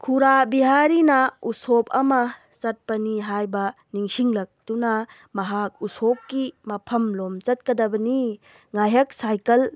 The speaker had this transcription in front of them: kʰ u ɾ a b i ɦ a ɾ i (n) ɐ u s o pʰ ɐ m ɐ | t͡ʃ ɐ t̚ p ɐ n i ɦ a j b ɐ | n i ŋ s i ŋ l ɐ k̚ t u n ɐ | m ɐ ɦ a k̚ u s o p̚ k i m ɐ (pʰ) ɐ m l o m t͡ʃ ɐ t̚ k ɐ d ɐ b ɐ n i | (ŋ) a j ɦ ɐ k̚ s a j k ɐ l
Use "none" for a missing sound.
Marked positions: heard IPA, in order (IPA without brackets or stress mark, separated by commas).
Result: n, pʰ, ŋ